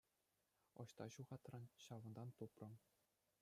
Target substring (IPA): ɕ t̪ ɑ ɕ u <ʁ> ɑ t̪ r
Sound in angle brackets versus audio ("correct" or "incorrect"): correct